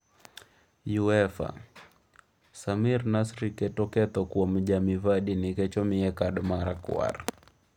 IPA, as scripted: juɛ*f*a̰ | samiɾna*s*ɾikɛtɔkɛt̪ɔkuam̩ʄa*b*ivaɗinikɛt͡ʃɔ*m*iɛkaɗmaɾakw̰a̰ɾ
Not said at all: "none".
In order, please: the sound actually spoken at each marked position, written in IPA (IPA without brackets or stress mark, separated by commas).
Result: f, s, m, m